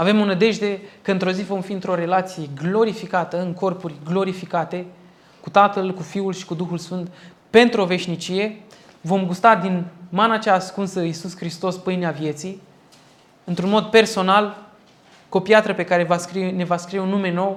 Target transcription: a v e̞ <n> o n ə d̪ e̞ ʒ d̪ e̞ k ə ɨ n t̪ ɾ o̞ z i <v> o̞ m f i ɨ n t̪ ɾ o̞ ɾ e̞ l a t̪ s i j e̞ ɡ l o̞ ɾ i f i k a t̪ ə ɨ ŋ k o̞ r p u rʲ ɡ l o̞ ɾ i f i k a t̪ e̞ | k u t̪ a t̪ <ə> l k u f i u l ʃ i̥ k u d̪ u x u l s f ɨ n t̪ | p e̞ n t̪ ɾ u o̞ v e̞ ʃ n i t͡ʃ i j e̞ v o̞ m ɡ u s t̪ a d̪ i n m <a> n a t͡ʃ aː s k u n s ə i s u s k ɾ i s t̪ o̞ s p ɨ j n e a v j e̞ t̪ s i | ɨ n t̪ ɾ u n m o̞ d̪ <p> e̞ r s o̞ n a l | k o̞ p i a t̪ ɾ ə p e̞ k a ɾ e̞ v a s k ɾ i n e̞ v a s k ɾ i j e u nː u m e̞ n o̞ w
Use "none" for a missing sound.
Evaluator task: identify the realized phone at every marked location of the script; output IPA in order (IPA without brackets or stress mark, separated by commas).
m, v, ə, a, p